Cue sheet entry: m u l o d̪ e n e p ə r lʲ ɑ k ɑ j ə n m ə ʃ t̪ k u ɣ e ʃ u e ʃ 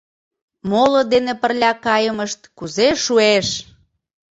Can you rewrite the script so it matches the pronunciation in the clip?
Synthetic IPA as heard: m o l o d̪ e n e p ə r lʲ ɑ k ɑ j ə m ə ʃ t̪ k u z e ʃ u e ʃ